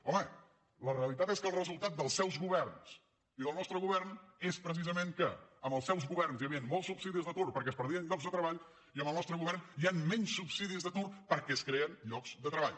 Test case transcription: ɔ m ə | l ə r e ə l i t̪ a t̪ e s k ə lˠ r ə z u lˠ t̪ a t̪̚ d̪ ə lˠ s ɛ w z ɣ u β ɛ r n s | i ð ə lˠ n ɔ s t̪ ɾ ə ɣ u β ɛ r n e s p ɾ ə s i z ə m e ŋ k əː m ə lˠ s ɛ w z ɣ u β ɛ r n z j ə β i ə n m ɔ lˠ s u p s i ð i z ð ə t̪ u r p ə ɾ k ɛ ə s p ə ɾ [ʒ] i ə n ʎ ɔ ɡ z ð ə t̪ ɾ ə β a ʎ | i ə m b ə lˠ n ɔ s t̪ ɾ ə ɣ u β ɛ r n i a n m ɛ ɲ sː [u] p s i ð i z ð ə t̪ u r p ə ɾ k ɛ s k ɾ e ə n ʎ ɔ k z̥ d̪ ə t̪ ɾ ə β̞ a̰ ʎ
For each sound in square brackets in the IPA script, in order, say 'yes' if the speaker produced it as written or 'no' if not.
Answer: no, yes

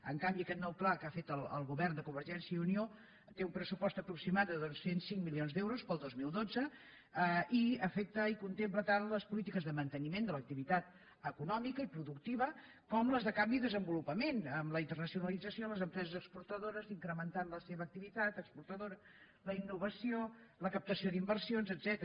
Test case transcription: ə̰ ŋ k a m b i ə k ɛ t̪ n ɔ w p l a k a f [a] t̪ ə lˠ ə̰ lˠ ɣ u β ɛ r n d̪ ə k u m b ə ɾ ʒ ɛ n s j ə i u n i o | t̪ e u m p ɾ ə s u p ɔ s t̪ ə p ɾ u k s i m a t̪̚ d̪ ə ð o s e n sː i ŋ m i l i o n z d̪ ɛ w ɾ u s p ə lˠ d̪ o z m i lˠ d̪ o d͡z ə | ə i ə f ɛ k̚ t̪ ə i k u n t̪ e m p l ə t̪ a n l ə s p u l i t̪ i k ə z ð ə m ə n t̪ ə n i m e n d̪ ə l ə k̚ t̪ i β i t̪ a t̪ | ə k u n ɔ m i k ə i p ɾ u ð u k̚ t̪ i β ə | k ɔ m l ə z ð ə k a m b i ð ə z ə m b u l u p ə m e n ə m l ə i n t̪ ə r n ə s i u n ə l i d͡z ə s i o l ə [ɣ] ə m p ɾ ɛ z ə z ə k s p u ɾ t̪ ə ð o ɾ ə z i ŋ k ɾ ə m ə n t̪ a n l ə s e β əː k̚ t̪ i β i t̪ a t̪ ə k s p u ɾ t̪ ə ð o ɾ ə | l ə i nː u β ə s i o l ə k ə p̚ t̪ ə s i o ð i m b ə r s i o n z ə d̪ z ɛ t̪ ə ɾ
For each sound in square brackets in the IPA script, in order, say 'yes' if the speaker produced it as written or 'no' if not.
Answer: no, no

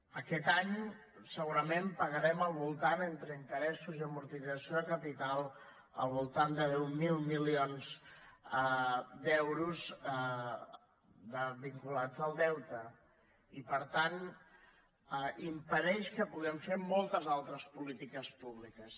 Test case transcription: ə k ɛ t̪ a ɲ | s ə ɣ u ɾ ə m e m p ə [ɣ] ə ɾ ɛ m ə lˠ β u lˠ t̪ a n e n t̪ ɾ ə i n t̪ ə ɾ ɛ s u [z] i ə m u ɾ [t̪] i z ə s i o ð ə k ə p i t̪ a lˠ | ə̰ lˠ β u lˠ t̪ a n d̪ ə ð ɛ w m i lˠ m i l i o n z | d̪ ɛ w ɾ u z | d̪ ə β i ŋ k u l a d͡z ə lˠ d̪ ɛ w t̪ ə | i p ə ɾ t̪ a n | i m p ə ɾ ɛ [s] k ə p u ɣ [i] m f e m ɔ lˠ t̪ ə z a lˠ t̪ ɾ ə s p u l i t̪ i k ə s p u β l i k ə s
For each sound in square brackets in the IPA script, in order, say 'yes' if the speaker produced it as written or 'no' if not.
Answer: yes, yes, yes, no, no

